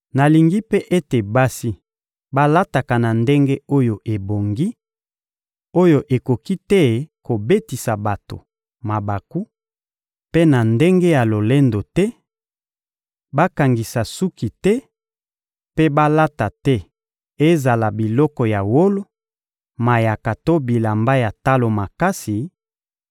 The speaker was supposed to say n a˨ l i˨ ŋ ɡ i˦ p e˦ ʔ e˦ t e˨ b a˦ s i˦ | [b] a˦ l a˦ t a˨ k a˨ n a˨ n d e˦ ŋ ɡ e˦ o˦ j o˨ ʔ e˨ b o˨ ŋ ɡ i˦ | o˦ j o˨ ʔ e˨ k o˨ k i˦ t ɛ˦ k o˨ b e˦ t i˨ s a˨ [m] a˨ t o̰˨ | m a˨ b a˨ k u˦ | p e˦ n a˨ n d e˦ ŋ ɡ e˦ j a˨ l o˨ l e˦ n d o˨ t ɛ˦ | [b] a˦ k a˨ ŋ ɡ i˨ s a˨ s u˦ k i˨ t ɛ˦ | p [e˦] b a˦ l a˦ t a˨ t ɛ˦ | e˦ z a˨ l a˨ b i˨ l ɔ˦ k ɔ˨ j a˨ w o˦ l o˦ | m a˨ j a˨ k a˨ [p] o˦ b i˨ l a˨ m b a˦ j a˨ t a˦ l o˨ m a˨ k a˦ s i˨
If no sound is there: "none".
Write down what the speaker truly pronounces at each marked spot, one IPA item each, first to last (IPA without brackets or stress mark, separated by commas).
b, b, b, e˦, t